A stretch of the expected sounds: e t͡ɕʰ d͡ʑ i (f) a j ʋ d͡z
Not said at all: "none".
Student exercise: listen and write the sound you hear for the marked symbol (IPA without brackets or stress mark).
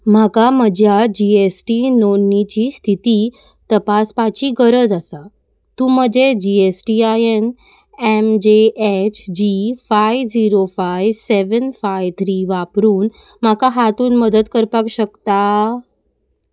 f